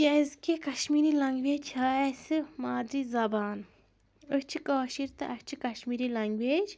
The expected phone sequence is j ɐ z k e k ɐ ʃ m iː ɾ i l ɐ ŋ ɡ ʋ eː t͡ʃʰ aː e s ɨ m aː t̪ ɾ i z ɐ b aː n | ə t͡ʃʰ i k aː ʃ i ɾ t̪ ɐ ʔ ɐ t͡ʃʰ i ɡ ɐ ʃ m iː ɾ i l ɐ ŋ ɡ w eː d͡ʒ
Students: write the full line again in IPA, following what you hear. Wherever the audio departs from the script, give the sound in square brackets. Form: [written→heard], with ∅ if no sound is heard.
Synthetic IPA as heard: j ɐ z k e k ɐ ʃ m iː ɾ i l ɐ ŋ ɡ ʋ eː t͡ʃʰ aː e s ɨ m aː [t̪→d̪] ɾ i z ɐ b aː n | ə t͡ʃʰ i k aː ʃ i ɾ t̪ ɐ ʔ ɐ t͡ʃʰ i [ɡ→k] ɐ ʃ m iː ɾ i l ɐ ŋ ɡ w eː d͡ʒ